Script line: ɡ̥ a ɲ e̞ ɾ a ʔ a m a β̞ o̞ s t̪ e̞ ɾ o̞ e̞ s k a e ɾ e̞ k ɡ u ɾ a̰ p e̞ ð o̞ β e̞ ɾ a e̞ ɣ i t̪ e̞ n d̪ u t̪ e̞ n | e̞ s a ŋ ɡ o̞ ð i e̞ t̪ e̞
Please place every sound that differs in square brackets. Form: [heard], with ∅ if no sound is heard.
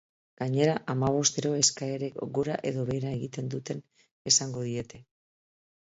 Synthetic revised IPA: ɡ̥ a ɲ e̞ ɾ a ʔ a m a β̞ o̞ s t̪ e̞ ɾ o̞ e̞ s k a e ɾ e̞ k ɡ u ɾ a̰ [ʔ] e̞ ð o̞ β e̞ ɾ a e̞ ɣ i t̪ e̞ n d̪ u t̪ e̞ n | e̞ s a ŋ ɡ o̞ ð i e̞ t̪ e̞